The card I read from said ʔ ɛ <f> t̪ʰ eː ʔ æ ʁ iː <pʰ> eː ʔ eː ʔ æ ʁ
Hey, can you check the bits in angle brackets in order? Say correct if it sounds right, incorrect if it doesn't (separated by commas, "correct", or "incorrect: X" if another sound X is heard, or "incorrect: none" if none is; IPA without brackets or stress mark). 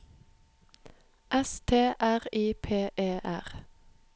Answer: incorrect: s, correct